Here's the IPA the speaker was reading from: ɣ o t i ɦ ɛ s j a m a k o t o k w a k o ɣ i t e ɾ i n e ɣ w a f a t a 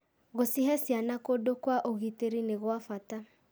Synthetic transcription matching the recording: ɣ o s i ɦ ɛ s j a n a k o d o k w a ʔ o ɣ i t e ɾ i n e ɣ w a f a t a